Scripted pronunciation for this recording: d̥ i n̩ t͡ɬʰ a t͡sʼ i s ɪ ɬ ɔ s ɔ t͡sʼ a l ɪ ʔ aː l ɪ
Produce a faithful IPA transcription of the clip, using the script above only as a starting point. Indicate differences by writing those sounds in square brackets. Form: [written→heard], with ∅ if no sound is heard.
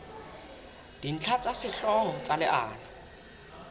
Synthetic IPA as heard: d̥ i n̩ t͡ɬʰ a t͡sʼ [i→a] s ɪ ɬ ɔ [s→∅] ɔ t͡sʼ a l ɪ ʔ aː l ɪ